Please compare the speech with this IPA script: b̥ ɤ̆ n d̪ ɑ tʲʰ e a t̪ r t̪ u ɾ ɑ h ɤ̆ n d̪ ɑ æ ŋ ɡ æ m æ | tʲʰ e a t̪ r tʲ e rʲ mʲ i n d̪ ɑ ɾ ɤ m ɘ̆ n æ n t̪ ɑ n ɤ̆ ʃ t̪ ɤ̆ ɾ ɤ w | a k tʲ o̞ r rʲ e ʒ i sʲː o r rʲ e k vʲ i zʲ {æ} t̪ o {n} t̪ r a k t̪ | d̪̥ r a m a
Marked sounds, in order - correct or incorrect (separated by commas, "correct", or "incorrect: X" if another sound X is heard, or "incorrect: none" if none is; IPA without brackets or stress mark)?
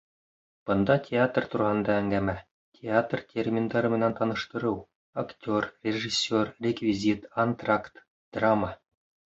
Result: incorrect: i, correct